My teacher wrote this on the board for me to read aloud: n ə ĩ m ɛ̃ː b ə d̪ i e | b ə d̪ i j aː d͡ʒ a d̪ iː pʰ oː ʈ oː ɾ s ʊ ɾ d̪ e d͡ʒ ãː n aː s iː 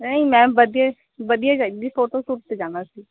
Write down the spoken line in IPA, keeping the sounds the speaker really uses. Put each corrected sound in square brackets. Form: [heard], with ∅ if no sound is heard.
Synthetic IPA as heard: n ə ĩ m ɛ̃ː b ə d̪ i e | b ə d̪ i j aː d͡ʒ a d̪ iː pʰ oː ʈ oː [∅] s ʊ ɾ [t̪] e d͡ʒ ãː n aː s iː

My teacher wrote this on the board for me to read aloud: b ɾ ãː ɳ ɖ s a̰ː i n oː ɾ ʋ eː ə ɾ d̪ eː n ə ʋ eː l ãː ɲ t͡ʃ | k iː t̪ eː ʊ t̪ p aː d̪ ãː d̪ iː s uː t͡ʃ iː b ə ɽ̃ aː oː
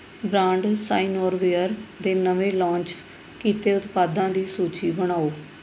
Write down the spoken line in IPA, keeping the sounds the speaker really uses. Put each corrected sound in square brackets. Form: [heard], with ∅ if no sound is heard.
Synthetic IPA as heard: b ɾ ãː ɳ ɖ s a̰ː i n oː ɾ ʋ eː ə ɾ d̪ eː n ə ʋ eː l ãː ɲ t͡ʃ | k iː t̪ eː ʊ t̪ p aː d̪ ãː d̪ iː s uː t͡ʃ iː b ə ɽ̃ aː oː

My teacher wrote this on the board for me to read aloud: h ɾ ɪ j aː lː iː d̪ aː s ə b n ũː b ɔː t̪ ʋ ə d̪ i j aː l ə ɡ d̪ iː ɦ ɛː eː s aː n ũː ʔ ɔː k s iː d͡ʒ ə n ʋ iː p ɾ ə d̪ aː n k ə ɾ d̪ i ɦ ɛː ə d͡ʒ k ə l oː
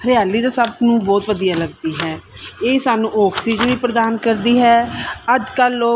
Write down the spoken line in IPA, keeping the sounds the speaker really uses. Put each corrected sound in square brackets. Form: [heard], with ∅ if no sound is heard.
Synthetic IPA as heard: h ɾ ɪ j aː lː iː d̪ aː s ə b n ũː b ɔː t̪ ʋ ə d̪ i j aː l ə ɡ d̪ iː ɦ ɛː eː s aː n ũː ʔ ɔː k s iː d͡ʒ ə n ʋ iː p ɾ ə d̪ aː n k ə ɾ d̪ [iː] ɦ ɛː ə d͡ʒ k ə l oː

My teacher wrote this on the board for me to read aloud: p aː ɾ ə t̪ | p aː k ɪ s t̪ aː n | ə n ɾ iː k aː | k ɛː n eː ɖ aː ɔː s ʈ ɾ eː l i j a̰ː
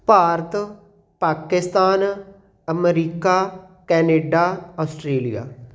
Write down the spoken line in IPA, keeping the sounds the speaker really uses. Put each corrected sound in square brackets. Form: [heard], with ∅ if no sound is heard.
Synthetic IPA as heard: p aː ɾ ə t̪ | p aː k ɪ s t̪ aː n | ə [m] ɾ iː k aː | k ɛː n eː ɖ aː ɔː s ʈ ɾ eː l i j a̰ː

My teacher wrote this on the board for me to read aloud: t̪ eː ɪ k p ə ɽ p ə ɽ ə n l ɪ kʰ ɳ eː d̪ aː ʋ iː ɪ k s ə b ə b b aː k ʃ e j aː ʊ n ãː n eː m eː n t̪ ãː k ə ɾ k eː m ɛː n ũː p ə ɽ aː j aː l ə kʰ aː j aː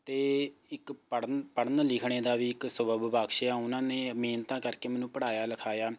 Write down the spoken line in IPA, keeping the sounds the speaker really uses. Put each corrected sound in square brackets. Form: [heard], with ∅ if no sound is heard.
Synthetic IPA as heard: t̪ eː ɪ k p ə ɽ p ə ɽ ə n l ɪ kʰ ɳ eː d̪ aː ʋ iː ɪ k s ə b ə b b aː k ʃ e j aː ʊ n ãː n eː m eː n t̪ ãː k ə ɾ k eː m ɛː n ũː p ə ɽ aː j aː l ə kʰ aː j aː

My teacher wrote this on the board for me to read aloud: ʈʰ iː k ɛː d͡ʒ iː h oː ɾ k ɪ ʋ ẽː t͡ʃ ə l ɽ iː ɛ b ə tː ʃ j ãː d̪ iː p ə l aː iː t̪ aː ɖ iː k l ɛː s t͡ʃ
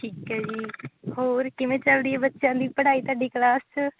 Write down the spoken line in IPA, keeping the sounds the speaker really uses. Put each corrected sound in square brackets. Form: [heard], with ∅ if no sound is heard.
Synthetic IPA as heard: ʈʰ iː k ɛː d͡ʒ iː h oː ɾ k ɪ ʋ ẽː t͡ʃ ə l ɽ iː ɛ b ə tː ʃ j ãː d̪ iː p ə [ɽ] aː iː t̪ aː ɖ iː k l [aː] s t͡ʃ

